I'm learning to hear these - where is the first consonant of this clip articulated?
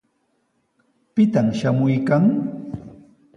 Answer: lips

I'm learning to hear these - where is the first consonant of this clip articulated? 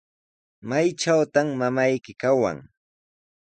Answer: lips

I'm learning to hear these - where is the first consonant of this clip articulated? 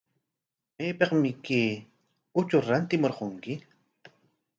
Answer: lips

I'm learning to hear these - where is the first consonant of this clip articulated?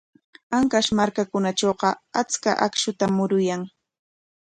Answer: velum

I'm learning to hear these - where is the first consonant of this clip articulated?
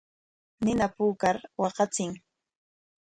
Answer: tongue tip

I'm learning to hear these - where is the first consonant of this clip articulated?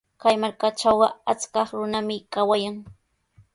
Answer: velum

